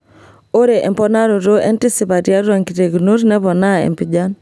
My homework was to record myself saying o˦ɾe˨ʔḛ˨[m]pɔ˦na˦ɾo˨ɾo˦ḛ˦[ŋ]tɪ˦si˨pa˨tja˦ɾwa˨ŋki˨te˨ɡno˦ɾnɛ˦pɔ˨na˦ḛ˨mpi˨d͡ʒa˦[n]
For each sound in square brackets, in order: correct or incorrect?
correct, incorrect: n, correct

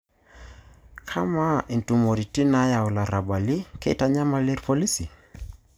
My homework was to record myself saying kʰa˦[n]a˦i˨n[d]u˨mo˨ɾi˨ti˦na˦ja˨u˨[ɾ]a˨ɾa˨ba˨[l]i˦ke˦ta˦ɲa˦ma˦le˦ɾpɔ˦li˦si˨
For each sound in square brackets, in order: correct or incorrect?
incorrect: m, incorrect: t, incorrect: l, correct

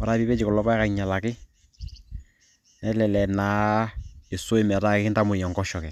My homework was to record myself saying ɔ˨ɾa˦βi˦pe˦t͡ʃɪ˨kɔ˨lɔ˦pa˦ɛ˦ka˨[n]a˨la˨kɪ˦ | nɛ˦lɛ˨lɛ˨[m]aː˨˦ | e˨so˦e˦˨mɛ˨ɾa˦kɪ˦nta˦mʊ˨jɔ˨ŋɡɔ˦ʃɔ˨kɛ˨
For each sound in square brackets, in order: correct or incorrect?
incorrect: ɲ, incorrect: n

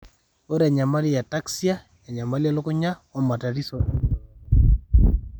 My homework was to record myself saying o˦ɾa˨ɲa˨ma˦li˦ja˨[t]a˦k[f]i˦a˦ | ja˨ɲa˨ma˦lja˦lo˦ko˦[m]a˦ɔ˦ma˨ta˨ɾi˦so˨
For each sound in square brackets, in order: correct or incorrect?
correct, incorrect: s, incorrect: ɲ

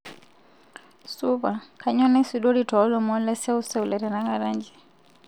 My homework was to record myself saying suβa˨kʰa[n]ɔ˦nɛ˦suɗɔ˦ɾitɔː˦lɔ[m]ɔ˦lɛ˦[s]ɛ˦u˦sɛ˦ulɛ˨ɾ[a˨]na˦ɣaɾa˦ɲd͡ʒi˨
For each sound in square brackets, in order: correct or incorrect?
incorrect: ɲ, correct, correct, incorrect: ɛ˨

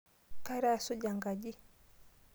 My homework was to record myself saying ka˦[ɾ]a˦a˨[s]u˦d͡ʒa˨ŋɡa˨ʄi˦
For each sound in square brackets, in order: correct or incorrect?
correct, correct

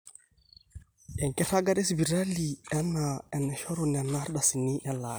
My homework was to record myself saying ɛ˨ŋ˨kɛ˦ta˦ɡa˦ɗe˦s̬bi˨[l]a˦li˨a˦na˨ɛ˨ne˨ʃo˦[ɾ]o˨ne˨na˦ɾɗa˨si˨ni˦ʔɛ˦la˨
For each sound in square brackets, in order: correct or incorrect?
incorrect: ɾ, correct

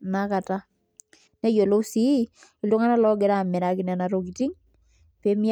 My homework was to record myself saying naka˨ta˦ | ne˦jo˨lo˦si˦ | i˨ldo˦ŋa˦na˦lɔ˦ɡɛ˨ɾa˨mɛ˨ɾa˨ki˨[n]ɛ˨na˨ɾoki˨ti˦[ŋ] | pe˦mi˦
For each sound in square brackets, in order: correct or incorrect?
correct, correct

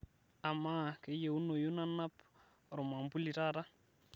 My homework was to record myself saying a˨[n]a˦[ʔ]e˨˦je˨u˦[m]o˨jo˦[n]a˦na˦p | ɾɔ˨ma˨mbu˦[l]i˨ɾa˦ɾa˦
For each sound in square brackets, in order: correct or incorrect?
incorrect: m, incorrect: k, incorrect: n, correct, correct

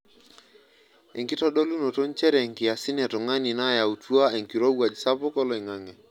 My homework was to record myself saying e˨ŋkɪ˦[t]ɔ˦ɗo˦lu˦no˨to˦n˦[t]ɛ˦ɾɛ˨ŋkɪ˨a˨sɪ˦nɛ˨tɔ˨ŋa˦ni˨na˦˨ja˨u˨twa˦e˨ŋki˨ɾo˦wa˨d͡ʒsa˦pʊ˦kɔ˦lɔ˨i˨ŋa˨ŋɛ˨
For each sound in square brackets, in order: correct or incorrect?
correct, incorrect: t͡ʃ

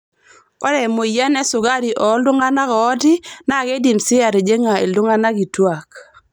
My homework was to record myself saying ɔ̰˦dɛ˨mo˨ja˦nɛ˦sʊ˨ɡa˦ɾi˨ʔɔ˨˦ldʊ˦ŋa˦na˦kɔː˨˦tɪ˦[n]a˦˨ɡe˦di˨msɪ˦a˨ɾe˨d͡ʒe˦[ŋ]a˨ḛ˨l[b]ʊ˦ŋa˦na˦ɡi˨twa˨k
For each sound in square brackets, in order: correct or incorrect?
correct, correct, incorrect: d

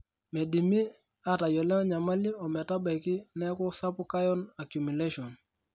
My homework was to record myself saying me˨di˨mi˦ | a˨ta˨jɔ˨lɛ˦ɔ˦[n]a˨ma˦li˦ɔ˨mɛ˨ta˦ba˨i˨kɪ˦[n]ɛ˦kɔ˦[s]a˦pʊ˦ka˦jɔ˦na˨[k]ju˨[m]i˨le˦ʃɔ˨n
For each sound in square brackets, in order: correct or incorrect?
incorrect: ɲ, correct, correct, correct, correct

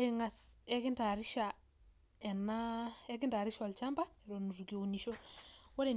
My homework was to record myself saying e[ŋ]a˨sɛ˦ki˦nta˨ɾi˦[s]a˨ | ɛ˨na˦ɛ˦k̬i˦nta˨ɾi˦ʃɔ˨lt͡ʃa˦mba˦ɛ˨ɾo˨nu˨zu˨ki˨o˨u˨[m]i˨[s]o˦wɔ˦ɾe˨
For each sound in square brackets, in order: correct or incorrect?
correct, incorrect: ʃ, incorrect: n, incorrect: ʃ

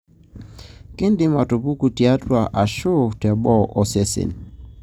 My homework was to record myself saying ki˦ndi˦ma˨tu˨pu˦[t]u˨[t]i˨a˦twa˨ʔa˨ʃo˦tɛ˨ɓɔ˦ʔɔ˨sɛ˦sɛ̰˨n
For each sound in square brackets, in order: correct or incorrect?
incorrect: k, correct

